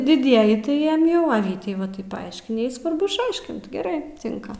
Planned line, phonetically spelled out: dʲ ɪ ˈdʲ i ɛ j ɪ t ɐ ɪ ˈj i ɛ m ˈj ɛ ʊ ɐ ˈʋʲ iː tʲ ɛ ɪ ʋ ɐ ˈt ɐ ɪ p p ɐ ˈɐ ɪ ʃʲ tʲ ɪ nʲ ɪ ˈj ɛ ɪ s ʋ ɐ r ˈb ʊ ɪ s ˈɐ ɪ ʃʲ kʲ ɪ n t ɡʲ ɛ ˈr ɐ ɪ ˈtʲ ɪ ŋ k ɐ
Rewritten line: dʲ ɪ ˈdʲ i ɛ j ɪ t ɐ ɪ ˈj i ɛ m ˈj ɛ ʊ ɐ ˈʋʲ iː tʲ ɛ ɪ ʋ ɐ ˈt ɐ ɪ p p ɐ ˈɐ ɪ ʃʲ kʲ ɪ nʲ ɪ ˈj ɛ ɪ s ʋ ɐ r ˈb ʊ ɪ ʃ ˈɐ ɪ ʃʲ kʲ ɪ n t ɡʲ ɛ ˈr ɐ ɪ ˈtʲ ɪ ŋ k ɐ